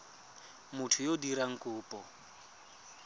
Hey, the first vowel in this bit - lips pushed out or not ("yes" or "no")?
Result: yes